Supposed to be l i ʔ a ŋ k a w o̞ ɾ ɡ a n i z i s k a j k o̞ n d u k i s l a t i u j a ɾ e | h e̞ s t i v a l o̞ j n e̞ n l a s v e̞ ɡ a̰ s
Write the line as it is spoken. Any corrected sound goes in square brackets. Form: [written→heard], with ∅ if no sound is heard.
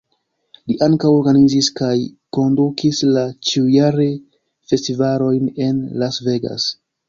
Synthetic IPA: l i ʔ a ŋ k a w o̞ ɾ ɡ a n i z i s k a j k o̞ n d u k i s l a [t→t͡ʃ] i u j a ɾ e | [h→f] e̞ s t i v a l o̞ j n e̞ n l a s v e̞ ɡ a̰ s